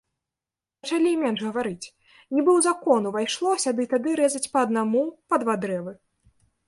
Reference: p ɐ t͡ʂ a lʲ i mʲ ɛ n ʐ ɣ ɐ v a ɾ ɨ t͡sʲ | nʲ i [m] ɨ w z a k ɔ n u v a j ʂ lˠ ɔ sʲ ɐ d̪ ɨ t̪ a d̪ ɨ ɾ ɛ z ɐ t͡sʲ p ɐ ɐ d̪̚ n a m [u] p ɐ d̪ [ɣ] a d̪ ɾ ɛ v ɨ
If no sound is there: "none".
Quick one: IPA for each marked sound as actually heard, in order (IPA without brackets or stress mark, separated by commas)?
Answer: b, u, v